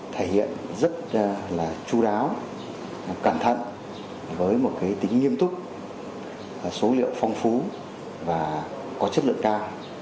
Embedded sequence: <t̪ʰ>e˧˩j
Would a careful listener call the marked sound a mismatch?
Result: no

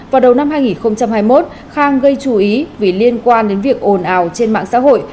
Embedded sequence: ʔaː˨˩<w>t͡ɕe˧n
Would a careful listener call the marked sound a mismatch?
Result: no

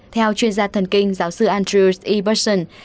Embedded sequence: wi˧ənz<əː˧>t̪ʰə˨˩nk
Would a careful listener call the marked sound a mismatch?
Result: yes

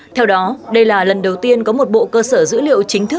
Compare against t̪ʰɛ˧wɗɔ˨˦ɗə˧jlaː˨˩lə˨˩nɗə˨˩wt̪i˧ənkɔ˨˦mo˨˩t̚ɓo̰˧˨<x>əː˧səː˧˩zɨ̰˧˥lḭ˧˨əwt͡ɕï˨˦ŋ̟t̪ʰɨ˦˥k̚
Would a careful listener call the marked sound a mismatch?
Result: yes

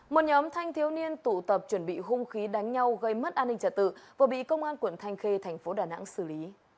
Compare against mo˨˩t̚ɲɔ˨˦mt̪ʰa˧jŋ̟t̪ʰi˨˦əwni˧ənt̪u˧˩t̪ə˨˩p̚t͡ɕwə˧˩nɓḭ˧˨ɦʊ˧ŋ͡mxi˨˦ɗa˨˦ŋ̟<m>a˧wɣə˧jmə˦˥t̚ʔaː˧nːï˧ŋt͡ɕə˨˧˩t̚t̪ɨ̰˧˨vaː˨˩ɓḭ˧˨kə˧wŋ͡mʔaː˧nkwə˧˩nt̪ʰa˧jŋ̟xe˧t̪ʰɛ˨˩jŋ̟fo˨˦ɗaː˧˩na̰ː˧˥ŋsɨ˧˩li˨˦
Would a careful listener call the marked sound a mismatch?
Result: yes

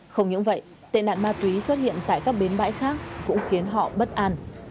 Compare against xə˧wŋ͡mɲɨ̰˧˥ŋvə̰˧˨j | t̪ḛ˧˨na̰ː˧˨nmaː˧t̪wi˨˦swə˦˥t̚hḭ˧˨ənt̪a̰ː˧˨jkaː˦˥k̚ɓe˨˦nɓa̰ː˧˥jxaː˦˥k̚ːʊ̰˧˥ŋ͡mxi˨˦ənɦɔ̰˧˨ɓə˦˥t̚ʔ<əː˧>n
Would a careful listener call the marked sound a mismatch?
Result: yes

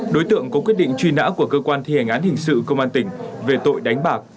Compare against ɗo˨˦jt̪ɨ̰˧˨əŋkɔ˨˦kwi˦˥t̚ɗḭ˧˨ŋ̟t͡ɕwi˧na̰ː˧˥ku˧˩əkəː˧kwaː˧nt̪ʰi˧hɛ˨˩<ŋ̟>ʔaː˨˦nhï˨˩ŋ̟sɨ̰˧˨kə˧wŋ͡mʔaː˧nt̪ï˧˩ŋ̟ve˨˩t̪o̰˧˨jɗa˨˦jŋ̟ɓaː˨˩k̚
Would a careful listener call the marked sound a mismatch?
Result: no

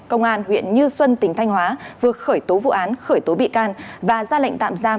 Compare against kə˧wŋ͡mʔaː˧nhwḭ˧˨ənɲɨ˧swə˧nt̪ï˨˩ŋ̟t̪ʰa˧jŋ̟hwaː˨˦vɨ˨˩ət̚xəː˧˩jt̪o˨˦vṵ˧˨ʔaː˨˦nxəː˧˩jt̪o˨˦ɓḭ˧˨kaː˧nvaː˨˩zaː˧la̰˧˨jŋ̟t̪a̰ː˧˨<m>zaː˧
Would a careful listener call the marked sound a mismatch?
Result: no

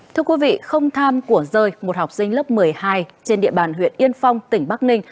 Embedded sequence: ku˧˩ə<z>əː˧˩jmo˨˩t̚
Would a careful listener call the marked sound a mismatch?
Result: no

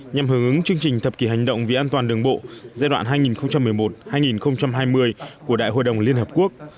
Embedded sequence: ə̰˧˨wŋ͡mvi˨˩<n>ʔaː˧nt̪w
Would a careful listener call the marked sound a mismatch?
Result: yes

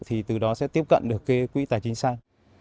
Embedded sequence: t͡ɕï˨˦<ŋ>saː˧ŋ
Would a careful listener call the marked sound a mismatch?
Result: no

